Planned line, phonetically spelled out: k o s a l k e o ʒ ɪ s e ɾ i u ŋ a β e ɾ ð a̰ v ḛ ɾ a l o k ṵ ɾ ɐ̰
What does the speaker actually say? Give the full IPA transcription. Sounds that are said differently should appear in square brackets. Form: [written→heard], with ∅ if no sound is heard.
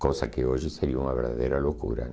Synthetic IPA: k o s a [l→∅] k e o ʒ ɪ s e ɾ i u ŋ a β e ɾ ð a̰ [v→ð] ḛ ɾ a l o k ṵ ɾ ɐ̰